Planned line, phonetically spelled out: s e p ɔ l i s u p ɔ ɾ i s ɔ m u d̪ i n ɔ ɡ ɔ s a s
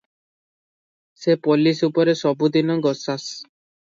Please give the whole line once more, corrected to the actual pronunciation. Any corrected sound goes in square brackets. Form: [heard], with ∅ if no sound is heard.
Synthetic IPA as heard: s e p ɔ l i s u p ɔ ɾ [e] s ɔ [b] u d̪ i n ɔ ɡ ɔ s a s